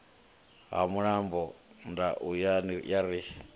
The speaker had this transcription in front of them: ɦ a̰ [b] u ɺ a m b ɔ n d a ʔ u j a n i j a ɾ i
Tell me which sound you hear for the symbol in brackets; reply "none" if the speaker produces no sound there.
m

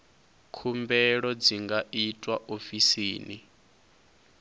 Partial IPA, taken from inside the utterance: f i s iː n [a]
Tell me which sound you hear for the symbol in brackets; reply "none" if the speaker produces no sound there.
i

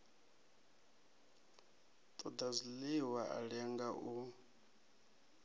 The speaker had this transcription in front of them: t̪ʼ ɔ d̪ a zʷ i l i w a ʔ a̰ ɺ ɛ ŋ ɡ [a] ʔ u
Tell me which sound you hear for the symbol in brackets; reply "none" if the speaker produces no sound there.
a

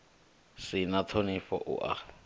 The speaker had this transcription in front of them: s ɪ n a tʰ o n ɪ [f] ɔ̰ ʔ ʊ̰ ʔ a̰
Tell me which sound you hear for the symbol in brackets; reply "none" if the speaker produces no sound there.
f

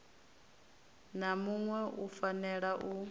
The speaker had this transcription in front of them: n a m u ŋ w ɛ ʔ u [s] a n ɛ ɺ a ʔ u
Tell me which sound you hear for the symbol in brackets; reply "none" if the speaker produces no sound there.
f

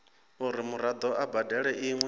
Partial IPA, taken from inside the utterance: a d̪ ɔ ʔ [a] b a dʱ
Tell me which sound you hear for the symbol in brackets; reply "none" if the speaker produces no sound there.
a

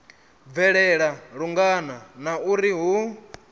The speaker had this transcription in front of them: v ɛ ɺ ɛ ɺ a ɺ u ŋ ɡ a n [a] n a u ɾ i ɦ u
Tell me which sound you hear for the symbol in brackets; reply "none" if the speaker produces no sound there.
a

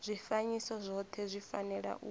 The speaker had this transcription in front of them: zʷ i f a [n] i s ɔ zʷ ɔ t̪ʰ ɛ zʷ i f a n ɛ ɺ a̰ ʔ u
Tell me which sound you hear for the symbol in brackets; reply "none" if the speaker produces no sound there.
ɲ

